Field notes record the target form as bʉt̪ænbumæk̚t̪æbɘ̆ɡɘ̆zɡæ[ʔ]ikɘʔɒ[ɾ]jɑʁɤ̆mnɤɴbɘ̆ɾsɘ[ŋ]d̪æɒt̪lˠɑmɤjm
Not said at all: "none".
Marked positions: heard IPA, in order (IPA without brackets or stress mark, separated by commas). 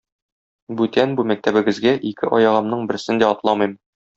ʔ, none, n